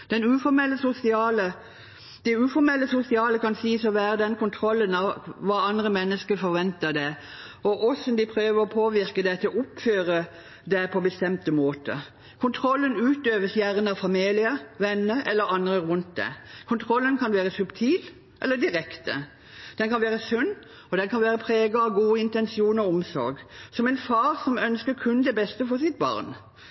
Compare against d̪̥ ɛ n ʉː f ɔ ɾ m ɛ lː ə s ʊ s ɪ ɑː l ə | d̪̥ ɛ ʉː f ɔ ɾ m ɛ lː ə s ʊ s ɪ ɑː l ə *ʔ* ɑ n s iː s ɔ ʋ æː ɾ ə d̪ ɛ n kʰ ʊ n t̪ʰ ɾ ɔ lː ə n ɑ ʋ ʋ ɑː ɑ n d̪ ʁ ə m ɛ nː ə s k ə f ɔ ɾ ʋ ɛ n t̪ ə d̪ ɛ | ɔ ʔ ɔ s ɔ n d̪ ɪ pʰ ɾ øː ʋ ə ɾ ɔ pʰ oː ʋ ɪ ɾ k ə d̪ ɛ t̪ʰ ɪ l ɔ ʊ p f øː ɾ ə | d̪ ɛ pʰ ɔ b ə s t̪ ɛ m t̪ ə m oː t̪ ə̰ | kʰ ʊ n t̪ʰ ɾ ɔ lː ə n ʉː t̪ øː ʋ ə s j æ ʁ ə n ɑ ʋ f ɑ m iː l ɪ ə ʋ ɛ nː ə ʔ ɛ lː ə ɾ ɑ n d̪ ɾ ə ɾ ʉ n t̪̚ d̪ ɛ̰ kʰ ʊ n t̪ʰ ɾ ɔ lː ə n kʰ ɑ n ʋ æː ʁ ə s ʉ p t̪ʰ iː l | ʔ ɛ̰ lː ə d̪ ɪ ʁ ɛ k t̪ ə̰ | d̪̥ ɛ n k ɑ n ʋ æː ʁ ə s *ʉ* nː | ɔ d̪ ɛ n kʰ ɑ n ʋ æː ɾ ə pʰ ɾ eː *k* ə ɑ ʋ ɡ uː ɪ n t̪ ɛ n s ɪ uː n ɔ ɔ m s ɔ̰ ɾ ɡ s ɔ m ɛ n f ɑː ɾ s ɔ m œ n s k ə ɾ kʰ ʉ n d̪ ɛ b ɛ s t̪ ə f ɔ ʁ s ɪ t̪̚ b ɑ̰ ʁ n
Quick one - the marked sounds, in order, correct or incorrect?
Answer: incorrect, correct, incorrect

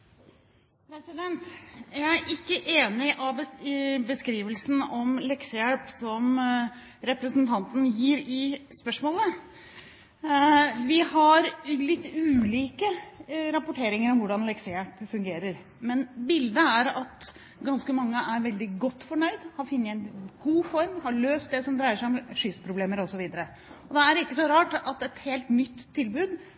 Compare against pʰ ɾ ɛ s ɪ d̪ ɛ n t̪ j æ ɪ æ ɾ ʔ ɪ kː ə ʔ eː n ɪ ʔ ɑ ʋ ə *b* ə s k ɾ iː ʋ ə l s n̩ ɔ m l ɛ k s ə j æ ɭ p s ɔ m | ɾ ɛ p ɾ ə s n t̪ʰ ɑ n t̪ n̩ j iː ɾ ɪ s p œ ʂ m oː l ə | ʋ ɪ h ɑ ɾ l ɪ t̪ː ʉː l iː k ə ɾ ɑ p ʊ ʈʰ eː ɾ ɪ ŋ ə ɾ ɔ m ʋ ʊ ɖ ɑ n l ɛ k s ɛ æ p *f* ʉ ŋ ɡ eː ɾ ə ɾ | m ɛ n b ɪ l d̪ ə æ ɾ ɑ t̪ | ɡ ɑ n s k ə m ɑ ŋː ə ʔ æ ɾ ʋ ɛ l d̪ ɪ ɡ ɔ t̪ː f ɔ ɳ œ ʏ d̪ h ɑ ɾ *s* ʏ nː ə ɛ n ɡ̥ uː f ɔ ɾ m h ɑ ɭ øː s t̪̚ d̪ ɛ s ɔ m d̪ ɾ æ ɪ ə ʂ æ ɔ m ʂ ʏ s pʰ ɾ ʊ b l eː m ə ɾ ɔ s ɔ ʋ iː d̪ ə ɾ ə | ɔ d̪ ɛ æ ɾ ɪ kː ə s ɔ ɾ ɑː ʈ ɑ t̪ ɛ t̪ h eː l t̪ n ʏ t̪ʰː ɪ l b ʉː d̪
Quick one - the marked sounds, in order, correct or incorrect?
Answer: correct, correct, incorrect

